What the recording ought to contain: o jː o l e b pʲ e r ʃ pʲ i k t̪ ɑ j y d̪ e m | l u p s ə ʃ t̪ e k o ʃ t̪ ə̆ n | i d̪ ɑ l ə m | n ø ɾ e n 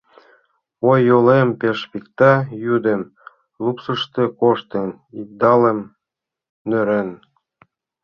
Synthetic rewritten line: o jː o l e m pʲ e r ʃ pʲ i k t̪ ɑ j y d̪ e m | l u p s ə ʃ t̪ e k o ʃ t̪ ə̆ n | i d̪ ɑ l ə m | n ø ɾ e n

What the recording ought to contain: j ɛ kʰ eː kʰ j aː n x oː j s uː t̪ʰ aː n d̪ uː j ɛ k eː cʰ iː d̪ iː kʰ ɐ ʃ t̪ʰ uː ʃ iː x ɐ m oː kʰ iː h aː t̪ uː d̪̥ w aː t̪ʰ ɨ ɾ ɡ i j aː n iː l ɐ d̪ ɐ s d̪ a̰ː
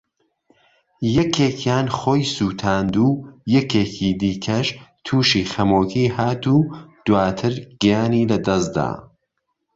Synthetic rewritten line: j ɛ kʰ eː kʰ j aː n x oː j s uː t̪ʰ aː n d̪ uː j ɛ k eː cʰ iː d̪ iː kʰ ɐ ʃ t̪ʰ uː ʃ iː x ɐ m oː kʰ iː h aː t̪ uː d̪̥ w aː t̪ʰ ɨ ɾ ɡ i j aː n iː l ɐ d̪ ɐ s d̪ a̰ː

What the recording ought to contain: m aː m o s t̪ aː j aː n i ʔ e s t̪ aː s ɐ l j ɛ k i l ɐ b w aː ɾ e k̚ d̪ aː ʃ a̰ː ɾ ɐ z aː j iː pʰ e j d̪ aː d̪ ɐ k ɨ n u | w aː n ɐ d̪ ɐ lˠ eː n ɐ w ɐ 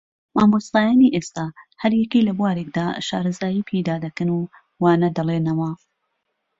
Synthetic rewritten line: m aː m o s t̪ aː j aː n i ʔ e s t̪ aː h ɐ ɾ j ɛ k i l ɐ b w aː ɾ e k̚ d̪ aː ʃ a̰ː ɾ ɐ z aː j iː pʰ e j d̪ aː d̪ ɐ k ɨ n u | w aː n ɐ d̪ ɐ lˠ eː n ɐ w ɐ

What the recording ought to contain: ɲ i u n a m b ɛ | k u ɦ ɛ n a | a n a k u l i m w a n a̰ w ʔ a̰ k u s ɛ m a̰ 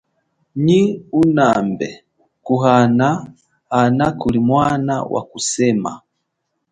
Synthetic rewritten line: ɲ i u n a m b ɛ | k u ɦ a n a | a n a k u l i m w a n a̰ w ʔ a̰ k u s ɛ m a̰

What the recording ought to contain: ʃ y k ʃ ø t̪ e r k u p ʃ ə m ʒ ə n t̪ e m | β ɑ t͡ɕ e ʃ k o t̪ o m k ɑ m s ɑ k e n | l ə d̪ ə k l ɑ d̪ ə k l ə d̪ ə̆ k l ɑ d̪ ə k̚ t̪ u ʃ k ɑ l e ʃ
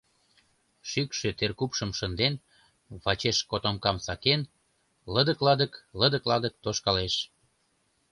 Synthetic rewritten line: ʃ y k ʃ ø t̪ e r k u p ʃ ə m ʃ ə n d̪ e n | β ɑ t͡ɕ e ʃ k o t̪ o m k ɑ m s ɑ k e n | l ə d̪ ə k l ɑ d̪ ə k l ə d̪ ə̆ k l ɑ d̪ ə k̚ t̪ o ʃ k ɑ l e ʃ

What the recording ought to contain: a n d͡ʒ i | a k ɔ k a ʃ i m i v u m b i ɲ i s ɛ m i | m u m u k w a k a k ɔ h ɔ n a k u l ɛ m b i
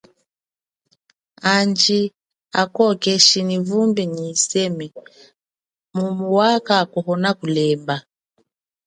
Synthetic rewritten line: a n d͡ʒ i | a k ɔ k ɛ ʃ i n i v u m b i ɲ i s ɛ m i | m u m u w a k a k ɔ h ɔ n a k u l ɛ m b a

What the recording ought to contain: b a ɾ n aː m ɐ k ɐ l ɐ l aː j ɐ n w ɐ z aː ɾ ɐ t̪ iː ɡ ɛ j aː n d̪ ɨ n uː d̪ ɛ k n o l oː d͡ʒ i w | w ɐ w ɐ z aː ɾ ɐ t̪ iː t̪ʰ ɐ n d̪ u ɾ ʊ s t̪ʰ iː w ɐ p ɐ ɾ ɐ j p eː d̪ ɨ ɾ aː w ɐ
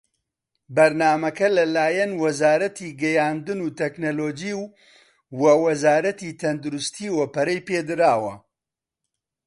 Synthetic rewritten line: b ɐ ɾ n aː m ɐ k ɐ l ɐ l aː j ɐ n w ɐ z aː ɾ ɐ t̪ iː ɡ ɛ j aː n d̪ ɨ n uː t̪ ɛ k n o l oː d͡ʒ i w | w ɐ w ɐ z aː ɾ ɐ t̪ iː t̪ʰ ɐ n d̪ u ɾ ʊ s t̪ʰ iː w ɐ p ɐ ɾ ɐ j p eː d̪ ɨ ɾ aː w ɐ

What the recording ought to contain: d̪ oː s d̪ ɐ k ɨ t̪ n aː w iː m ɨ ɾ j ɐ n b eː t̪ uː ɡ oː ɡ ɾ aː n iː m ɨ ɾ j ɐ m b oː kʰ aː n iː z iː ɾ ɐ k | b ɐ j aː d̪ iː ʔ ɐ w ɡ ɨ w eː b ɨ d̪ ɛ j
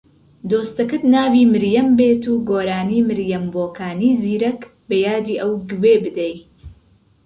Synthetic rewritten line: d̪ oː s t̪ ɐ k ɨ t̪ n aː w iː m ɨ ɾ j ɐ m b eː t̪ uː ɡ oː ɾ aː n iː m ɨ ɾ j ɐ m b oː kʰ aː n iː z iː ɾ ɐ k | b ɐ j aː d̪ iː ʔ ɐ w ɡ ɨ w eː b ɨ d̪ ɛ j

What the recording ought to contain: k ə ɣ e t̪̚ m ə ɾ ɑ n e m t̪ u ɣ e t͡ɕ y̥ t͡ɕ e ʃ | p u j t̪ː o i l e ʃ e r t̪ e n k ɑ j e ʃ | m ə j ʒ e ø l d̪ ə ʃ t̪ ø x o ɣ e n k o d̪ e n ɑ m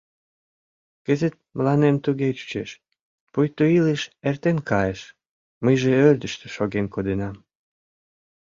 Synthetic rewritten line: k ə z e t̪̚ m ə l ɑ n e m t̪ u ɣ e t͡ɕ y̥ t͡ɕ e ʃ | p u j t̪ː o i l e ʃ e r t̪ e n k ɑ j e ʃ | m ə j ʒ e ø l d̪ ə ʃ t̪ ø ʃ o ɣ e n k o d̪ e n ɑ m

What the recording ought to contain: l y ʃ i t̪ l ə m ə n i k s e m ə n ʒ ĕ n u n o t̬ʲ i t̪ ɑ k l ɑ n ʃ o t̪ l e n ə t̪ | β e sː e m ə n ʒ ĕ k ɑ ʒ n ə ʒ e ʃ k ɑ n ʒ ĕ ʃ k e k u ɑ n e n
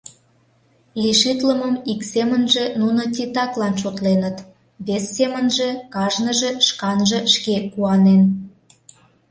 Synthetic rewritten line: l i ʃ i t̪ l ə m ə m i k s e m ə n ʒ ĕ n u n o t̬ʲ i t̪ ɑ k l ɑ n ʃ o t̪ l e n ə t̪ | β e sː e m ə n ʒ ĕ k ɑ ʒ n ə ʒ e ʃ k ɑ n ʒ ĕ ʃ k e k u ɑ n e n

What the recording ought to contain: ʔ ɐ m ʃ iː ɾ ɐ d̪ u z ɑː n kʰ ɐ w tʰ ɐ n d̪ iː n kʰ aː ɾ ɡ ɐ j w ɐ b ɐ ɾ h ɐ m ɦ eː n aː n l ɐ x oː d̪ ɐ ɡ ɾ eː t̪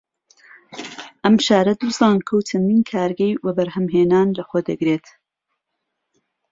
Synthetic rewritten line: ʔ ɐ m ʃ aː ɾ ɐ d̪ u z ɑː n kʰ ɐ w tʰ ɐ n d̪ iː n kʰ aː ɾ ɡ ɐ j w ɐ b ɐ ɾ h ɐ m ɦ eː n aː n l ɐ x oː d̪ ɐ ɡ ɾ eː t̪

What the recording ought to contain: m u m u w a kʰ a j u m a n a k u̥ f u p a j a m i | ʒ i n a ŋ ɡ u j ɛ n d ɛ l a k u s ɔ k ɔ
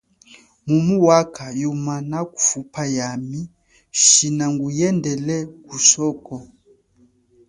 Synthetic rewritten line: m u m u w a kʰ a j u m a n a k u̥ f u p a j a m i | ʃ i n a ŋ ɡ u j ɛ n d ɛ l ɛ k u s ɔ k ɔ

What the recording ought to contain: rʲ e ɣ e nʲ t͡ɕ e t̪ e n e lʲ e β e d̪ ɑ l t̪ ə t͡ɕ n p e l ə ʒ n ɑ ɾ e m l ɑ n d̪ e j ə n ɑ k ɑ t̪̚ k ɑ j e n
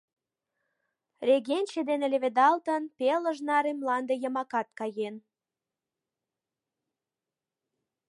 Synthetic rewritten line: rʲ e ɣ e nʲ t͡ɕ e d̪ e n e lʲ e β e d̪ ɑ l t̪ ə n p e l ə ʒ n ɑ ɾ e m l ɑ n d̪ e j ə m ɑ k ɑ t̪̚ k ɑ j e n

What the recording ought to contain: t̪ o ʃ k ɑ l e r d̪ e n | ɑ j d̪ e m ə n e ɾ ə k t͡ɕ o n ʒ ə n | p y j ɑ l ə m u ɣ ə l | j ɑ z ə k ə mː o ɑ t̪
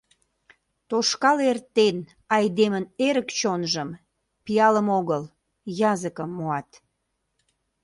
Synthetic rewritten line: t̪ o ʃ k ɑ l e r t̪ e n | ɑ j d̪ e m ə n e ɾ ə k t͡ɕ o n ʒ ə m | p i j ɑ l ə m o ɣ ə l | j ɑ z ə k ə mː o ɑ t̪

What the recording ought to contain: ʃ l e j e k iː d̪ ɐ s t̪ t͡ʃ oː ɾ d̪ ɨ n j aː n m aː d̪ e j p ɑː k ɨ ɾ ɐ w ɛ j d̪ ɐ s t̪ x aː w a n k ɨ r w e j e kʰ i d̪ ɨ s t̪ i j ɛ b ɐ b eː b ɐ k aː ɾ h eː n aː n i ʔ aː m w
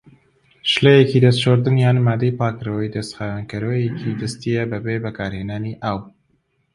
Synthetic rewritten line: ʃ l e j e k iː d̪ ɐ s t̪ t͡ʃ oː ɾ d̪ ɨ n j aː n m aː d̪ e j p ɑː k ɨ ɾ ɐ w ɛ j d̪ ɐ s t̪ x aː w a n k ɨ ɾ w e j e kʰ i d̪ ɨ s t̪ i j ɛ b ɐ b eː b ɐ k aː ɾ h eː n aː n i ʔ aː w

